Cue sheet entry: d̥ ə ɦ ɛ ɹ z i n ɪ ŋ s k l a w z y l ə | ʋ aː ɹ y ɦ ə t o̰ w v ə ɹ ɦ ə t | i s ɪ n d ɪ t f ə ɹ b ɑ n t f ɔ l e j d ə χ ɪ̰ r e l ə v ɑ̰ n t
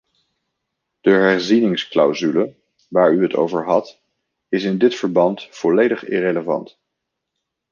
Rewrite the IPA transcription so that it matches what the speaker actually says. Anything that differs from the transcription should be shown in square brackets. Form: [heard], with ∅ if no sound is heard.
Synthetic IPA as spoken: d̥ ə ɦ ɛ ɹ z i n ɪ ŋ s k l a w z y l ə | ʋ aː ɹ y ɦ ə t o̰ w v ə ɹ ɦ [ɑ] t | [ɪ] s ɪ n d ɪ t f ə ɹ b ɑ n t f ɔ l e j d ə χ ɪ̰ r e l ə v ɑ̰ n t